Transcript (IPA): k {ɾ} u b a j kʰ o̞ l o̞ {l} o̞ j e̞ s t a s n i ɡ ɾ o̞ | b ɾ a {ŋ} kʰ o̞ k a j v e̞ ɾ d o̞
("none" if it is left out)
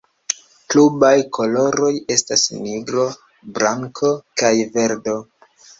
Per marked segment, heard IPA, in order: l, ɾ, ŋ

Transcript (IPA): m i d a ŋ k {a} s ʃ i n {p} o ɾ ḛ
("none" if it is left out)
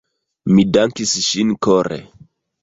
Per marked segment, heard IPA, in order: i, k

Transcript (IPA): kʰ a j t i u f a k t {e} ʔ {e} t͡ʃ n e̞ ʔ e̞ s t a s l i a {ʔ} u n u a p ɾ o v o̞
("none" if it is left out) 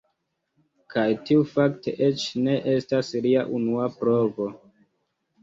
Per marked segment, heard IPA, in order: e, e, ʔ

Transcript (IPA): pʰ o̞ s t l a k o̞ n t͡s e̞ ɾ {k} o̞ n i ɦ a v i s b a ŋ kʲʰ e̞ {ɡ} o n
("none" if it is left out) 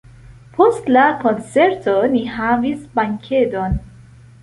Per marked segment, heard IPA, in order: t, d

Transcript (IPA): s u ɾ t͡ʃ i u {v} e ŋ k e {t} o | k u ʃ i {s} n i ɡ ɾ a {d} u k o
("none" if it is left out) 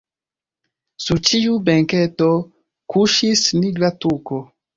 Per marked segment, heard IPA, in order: b, t, s, t

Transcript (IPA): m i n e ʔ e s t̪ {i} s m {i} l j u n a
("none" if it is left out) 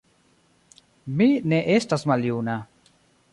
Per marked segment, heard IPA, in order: a, a

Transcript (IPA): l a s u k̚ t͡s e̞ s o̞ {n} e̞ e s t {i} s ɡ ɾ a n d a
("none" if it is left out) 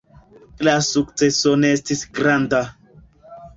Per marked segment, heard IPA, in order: n, i

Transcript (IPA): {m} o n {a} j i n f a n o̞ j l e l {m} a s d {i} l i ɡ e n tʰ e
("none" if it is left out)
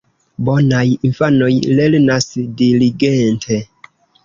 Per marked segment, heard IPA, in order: b, a, n, i

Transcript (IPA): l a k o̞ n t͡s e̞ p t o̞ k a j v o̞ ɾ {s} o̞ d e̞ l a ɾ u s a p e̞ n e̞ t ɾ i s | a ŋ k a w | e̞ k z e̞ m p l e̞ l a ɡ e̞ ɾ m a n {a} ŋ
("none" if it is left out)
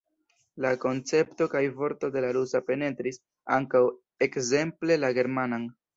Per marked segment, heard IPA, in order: t, a

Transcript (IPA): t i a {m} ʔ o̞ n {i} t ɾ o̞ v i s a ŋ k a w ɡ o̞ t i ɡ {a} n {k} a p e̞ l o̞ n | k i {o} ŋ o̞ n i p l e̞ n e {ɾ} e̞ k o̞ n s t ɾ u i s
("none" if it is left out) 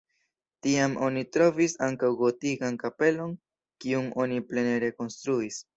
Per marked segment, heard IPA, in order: m, i, a, k, u, ɾ

